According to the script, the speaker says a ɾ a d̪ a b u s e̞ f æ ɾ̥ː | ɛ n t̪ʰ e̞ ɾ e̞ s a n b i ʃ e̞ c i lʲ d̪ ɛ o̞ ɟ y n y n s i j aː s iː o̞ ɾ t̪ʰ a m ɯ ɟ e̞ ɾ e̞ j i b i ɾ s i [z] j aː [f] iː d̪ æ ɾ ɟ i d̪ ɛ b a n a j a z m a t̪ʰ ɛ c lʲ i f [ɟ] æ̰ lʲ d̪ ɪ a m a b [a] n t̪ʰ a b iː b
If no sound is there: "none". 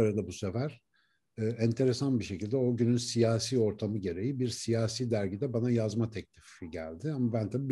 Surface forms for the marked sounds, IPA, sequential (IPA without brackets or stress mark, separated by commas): none, s, ɟ, æ